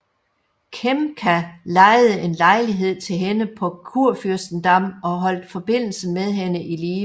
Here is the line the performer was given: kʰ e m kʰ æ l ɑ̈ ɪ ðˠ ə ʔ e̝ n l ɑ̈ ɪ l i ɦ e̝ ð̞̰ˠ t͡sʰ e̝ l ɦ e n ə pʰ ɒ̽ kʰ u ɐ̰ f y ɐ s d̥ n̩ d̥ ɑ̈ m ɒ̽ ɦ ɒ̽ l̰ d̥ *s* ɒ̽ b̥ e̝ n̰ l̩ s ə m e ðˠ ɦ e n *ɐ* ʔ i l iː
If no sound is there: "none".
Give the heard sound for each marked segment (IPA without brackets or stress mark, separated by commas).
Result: f, ə